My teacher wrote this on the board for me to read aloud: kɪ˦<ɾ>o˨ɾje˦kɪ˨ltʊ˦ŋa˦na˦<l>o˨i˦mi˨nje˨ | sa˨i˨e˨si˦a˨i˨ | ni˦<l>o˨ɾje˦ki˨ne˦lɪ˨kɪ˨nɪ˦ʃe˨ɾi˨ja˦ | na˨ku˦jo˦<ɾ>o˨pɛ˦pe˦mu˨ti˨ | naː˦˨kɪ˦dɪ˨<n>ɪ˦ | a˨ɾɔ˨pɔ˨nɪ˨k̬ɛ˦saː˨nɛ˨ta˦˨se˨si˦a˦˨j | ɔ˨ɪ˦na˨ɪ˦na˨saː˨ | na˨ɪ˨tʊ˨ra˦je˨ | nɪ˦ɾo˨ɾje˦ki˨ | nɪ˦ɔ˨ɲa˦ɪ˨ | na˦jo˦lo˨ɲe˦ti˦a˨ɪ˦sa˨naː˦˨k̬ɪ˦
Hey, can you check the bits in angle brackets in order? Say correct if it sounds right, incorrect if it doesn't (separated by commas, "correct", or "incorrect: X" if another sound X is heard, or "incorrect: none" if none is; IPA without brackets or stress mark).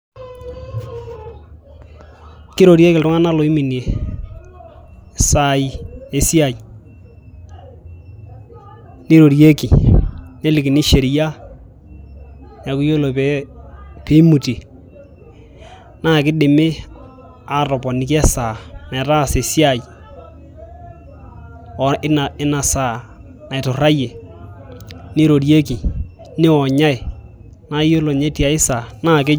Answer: correct, correct, incorrect: ɾ, incorrect: l, incorrect: m